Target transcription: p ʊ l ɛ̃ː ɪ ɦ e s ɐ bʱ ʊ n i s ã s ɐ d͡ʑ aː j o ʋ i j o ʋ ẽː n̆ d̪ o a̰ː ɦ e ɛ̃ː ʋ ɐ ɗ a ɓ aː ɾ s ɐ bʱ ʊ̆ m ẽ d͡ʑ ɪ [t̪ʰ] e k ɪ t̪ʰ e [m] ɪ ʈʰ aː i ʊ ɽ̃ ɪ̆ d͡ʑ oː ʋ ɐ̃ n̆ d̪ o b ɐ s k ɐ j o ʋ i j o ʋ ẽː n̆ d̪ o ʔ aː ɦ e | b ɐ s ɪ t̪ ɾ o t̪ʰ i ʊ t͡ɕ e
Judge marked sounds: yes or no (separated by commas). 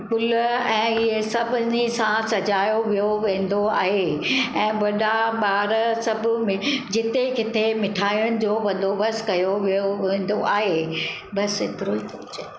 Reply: no, yes